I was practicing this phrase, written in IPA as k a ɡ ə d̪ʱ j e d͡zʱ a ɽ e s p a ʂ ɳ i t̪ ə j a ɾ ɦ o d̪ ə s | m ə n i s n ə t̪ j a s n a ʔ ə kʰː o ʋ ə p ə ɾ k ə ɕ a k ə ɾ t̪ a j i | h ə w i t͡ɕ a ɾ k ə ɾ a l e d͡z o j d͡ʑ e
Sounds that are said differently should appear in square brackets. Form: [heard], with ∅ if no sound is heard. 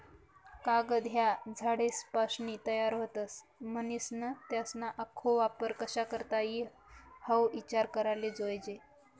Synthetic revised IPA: k a ɡ ə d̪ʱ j [a] d͡zʱ a ɽ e s p a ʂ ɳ i t̪ ə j a ɾ ɦ o [t̪] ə s | m ə n i s n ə t̪ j a s n a ʔ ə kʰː o ʋ [a] p ə ɾ k ə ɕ a k ə ɾ t̪ a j i | h ə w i t͡ɕ a ɾ k ə ɾ a l e d͡z o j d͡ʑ e

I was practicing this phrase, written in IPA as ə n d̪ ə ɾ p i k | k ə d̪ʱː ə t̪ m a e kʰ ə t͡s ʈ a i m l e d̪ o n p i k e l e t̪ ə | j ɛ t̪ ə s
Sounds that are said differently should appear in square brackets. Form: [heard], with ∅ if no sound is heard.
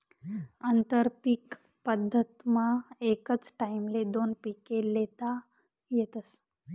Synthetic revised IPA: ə n [t̪] ə ɾ p i k | [p] ə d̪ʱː ə t̪ m a e [k] ə t͡s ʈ a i m l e d̪ o n p i k e l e t̪ [a] | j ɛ t̪ ə s

